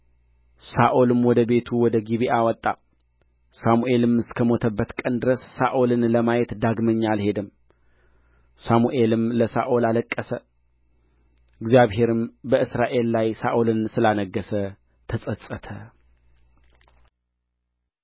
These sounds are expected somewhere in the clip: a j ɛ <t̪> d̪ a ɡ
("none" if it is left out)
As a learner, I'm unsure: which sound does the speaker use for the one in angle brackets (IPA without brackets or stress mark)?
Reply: t̪